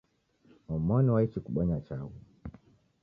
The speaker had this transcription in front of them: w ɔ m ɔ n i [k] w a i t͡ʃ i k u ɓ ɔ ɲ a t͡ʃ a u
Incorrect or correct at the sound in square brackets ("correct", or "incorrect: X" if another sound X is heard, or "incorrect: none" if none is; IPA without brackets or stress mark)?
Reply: incorrect: none